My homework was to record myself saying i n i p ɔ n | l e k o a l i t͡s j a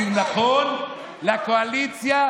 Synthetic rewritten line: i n a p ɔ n | l a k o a l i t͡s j a